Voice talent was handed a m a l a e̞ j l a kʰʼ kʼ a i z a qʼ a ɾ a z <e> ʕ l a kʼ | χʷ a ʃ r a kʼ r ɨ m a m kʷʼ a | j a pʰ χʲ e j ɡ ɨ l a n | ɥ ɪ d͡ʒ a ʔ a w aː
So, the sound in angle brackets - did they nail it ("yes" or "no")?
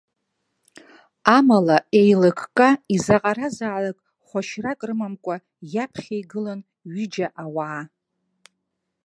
no